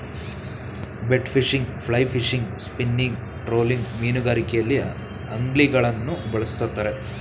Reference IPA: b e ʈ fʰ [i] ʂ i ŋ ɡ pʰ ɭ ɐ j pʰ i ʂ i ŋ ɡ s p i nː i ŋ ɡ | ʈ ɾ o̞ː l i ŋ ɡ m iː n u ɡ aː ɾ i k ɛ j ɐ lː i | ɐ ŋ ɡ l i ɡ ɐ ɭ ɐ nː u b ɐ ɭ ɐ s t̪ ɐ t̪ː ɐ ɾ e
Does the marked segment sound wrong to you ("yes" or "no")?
no